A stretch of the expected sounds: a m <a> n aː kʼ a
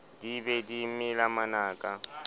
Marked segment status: correct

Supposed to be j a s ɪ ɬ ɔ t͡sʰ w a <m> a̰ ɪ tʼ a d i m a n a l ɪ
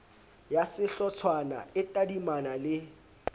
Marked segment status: incorrect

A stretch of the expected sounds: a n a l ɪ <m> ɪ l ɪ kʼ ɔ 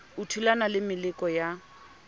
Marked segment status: correct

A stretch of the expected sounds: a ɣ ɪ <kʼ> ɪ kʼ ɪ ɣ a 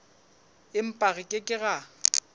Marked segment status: correct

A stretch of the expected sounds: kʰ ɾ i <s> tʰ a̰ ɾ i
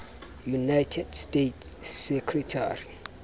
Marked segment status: incorrect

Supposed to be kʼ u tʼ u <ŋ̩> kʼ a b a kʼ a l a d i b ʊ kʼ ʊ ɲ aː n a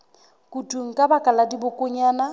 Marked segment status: correct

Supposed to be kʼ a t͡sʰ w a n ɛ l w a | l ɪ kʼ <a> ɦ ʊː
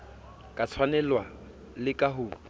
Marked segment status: correct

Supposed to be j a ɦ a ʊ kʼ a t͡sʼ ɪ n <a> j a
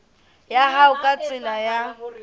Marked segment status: correct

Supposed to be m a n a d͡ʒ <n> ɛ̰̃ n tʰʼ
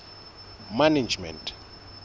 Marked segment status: incorrect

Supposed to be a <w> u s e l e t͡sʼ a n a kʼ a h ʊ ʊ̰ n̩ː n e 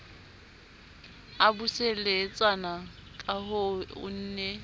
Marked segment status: incorrect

